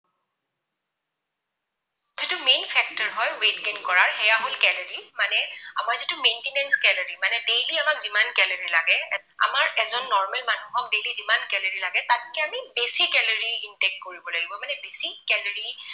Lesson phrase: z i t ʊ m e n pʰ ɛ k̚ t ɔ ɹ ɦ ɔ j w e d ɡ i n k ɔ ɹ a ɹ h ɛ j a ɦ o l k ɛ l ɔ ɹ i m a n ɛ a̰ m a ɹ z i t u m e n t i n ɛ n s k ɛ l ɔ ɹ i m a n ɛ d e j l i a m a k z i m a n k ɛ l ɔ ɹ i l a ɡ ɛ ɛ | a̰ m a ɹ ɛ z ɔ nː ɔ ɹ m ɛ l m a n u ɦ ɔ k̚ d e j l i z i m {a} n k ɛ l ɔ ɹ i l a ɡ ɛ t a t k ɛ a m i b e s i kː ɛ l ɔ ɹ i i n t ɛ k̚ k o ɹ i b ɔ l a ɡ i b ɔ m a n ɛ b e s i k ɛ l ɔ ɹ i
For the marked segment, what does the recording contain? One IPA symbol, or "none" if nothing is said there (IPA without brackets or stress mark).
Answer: a